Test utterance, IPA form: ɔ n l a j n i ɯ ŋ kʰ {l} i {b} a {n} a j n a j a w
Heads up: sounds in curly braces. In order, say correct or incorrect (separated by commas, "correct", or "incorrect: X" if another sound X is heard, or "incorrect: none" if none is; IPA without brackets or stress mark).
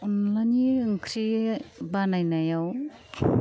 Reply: incorrect: ɾ, correct, correct